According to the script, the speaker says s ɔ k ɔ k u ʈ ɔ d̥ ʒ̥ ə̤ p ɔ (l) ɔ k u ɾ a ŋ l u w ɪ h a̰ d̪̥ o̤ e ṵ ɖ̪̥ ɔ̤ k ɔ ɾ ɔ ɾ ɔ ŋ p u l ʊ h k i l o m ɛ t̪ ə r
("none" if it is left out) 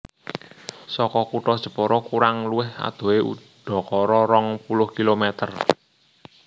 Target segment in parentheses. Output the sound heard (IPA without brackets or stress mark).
ɾ